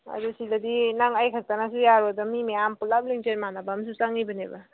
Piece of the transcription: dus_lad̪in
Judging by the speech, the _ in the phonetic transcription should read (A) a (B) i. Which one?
B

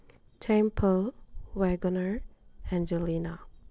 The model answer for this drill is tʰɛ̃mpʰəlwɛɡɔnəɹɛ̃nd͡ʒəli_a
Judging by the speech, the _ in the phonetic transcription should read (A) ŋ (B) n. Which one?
B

